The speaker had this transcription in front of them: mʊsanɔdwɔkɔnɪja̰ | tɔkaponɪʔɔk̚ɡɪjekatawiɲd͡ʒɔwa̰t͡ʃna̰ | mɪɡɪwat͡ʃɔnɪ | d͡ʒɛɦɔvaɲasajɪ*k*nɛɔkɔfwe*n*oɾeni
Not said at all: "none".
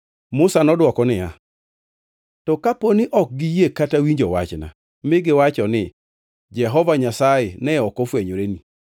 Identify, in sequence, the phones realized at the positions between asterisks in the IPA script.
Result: none, ɲ

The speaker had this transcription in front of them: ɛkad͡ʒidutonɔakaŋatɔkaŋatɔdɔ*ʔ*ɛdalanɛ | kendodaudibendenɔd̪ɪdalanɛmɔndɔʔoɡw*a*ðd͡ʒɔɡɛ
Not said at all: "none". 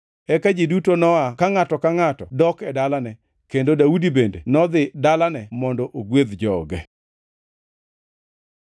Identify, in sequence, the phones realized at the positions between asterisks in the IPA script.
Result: k, e

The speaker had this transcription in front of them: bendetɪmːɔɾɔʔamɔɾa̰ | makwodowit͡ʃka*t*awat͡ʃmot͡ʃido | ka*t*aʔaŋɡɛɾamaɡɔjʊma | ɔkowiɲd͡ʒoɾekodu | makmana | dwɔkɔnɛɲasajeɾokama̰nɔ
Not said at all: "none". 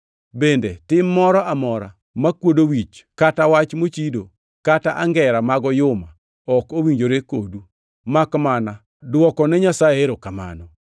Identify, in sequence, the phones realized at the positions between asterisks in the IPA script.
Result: t, t

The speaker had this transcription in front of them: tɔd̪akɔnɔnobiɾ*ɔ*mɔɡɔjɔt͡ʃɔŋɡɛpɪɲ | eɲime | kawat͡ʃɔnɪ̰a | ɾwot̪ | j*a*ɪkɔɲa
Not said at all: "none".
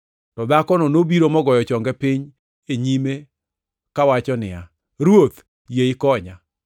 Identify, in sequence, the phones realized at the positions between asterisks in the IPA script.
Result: o, e

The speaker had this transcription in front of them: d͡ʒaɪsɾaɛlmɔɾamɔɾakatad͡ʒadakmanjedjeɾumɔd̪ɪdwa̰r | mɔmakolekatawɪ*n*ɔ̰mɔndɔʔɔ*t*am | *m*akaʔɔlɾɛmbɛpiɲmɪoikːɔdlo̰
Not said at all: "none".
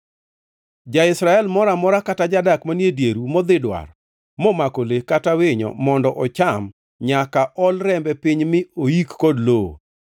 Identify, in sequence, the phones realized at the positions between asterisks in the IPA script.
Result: ɲ, t͡ʃ, ɲ

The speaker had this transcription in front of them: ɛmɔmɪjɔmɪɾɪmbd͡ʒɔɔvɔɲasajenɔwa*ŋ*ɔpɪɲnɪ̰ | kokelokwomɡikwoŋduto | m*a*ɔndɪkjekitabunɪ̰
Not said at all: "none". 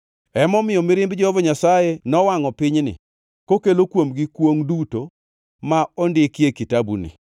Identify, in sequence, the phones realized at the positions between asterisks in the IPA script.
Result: ŋ, a

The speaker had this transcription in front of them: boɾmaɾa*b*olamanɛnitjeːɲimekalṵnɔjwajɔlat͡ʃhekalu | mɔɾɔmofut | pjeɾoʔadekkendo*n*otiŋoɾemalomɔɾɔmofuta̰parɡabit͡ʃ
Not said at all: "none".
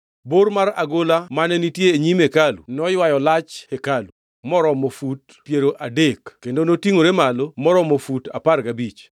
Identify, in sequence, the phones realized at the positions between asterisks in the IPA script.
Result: ɡ, n

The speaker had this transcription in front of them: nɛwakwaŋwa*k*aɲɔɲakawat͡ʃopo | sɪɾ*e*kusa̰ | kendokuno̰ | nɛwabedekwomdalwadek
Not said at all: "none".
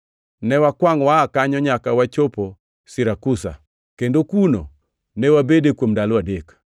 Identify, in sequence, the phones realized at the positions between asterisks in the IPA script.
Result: k, a

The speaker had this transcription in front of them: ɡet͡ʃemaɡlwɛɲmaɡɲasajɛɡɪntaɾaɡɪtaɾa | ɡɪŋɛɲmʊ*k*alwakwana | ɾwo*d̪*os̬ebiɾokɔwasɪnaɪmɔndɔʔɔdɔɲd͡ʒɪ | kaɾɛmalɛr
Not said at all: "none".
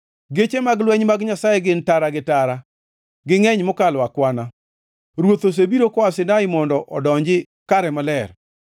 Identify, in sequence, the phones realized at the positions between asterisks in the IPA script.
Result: k, t̪

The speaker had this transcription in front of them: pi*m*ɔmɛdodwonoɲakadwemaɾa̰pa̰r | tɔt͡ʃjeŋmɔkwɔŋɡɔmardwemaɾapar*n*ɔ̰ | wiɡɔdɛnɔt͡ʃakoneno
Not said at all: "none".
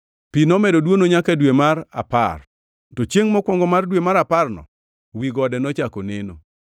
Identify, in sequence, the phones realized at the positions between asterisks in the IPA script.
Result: n, n

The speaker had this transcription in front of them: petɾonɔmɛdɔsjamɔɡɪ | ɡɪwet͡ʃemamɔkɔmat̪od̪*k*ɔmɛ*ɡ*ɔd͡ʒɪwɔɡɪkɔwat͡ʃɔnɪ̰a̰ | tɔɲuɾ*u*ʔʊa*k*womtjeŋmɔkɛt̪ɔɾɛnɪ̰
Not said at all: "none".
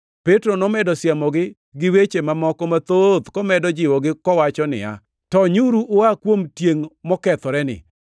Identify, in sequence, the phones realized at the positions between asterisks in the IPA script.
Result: k, d, u, k

